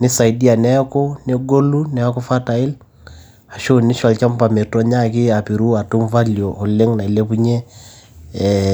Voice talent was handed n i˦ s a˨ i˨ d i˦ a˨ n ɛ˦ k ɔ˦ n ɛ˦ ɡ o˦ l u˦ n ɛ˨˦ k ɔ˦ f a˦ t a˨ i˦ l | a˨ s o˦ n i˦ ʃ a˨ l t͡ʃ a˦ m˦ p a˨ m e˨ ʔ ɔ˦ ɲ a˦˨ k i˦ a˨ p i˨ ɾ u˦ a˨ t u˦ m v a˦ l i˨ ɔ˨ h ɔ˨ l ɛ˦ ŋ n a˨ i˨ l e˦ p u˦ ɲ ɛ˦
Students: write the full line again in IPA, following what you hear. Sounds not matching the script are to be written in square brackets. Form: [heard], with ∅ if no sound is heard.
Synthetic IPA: n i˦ s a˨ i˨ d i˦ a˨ n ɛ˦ k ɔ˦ n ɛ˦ ɡ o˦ l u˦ n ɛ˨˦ k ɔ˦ f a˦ t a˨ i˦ l | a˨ [ʃ] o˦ n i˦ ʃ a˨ l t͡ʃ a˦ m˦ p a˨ m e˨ [t] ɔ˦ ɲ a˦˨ k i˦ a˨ p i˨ ɾ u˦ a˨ t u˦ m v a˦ l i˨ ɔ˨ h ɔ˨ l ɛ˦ ŋ n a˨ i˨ l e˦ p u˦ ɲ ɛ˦